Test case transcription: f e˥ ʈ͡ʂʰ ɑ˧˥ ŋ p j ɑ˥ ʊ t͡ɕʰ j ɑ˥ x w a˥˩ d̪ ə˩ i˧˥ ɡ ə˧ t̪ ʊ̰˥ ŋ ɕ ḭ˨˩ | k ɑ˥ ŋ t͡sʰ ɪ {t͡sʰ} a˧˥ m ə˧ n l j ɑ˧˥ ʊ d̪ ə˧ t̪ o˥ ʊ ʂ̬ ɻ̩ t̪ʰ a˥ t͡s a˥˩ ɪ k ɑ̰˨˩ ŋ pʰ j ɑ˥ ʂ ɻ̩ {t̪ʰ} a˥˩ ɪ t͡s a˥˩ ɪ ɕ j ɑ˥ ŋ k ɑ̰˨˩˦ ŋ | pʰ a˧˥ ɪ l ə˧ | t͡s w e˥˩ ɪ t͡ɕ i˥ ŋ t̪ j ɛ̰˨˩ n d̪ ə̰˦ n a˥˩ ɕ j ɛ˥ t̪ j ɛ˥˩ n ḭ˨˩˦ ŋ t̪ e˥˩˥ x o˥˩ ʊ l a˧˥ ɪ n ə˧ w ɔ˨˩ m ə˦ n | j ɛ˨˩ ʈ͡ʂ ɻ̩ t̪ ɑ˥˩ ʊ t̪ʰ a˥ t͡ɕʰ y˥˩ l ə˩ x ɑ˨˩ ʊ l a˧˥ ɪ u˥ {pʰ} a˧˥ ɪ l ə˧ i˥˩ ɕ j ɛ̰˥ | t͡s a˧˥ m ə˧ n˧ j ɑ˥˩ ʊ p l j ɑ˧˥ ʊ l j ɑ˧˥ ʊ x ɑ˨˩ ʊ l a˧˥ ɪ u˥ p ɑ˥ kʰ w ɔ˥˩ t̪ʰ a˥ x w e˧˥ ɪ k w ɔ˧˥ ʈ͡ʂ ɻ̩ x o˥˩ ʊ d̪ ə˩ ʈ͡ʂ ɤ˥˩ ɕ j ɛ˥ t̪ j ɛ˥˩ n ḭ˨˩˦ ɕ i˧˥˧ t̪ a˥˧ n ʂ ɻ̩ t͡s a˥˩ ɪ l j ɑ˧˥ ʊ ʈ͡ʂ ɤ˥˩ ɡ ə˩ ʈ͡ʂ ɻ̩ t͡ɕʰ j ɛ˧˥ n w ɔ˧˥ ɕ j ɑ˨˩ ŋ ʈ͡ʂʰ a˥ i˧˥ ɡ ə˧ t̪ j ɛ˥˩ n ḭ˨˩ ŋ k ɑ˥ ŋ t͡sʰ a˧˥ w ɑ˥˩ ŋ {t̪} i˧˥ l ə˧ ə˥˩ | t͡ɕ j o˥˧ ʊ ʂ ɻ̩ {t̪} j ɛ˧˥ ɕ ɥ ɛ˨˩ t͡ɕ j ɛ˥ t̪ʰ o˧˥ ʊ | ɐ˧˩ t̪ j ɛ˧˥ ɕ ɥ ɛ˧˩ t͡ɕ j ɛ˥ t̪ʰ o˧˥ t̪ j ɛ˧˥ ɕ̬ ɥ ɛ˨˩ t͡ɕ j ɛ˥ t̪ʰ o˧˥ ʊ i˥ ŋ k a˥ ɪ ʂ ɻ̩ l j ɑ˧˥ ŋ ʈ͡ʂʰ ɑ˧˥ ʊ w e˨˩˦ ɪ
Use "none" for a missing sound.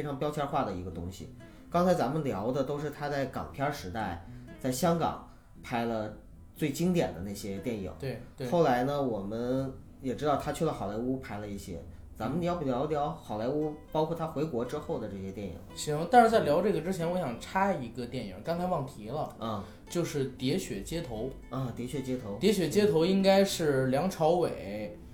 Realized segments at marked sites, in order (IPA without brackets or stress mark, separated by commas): t͡s, t̪, pʰ, t̪ʰ, t̪